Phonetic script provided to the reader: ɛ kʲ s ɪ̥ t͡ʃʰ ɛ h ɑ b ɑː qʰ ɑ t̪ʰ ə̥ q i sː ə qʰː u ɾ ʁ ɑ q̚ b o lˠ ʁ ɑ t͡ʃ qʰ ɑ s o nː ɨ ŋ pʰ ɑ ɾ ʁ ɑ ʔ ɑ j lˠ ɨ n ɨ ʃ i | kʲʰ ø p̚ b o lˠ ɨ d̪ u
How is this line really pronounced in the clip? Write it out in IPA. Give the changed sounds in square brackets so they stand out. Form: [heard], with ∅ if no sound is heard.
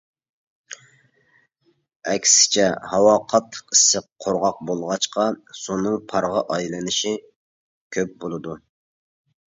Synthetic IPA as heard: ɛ kʲ s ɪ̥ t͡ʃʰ ɛ h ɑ [w] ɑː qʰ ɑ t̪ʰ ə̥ q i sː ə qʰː [o] ɾ ʁ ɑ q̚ b o lˠ ʁ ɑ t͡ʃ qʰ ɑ s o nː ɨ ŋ pʰ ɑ ɾ ʁ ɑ ʔ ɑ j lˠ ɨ n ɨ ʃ i | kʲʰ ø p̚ b o lˠ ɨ d̪ u